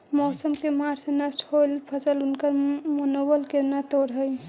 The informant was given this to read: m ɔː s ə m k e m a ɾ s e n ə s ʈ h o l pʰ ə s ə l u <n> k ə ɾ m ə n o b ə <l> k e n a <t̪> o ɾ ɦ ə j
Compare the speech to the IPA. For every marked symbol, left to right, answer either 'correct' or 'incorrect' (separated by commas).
correct, correct, correct